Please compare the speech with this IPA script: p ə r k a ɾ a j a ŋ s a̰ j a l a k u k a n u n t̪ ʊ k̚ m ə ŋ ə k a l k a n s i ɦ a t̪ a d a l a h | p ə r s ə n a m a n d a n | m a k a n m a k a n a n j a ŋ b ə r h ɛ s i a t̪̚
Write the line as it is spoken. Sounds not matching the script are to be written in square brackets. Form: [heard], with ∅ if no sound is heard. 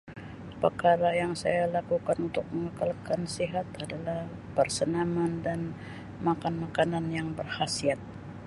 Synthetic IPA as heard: p ə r k a ɾ a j a ŋ s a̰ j a l a k u k a n u n t̪ ʊ k̚ m ə ŋ ə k a l k a n s i ɦ a t̪ a d a l a h | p ə r s ə n a m a n d a n | m a k a n m a k a n a n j a ŋ b ə r h [a] s i a t̪̚